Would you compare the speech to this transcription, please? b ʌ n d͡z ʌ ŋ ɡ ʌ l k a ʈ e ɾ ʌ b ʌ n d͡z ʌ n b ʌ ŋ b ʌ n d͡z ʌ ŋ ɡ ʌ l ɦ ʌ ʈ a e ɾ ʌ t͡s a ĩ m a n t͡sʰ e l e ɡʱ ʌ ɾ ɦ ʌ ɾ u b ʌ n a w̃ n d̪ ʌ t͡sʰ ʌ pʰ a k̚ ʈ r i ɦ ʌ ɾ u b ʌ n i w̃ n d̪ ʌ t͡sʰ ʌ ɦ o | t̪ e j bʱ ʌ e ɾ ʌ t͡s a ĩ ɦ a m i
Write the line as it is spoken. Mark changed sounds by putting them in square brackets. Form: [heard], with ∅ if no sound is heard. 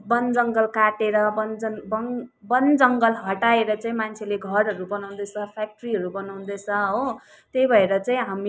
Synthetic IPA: b ʌ n d͡z ʌ ŋ ɡ ʌ l k a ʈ e ɾ ʌ b ʌ n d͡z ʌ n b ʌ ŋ b ʌ n d͡z ʌ ŋ ɡ ʌ l ɦ ʌ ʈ a e ɾ ʌ t͡s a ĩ m a n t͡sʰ e l e ɡʱ ʌ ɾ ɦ ʌ ɾ u b ʌ n a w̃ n d̪ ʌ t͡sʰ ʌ pʰ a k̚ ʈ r i ɦ ʌ ɾ u b ʌ n [a] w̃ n d̪ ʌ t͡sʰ ʌ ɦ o | t̪ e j bʱ ʌ e ɾ ʌ t͡s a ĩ ɦ a m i

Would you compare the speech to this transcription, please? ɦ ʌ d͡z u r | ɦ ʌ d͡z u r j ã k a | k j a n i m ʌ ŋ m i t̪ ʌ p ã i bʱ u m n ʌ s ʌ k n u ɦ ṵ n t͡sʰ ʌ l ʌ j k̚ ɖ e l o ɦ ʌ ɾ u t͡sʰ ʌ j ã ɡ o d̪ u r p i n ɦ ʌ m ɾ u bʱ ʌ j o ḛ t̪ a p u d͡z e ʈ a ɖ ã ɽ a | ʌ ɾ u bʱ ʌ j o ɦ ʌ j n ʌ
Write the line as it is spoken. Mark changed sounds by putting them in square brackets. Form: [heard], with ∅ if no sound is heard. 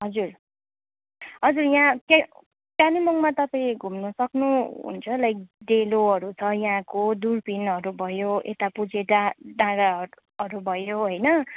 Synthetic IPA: ɦ ʌ d͡z u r | ɦ ʌ d͡z u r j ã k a | k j a n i m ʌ ŋ m [a] t̪ ʌ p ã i [ɡʱ] u m n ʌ s ʌ k n u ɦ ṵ n t͡sʰ ʌ l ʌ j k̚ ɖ e l o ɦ ʌ ɾ u t͡sʰ ʌ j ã [k] o d̪ u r p i n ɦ ʌ [∅] ɾ u bʱ ʌ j o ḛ t̪ a p u d͡z e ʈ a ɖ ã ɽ a | ʌ ɾ u bʱ ʌ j o ɦ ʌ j n ʌ

